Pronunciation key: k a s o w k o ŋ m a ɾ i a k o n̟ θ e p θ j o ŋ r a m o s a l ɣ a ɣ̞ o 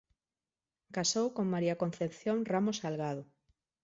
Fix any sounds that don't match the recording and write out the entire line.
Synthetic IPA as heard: k a s o w k o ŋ m a ɾ i a k o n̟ θ e p θ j o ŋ r a m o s a l ɣ a ð̞ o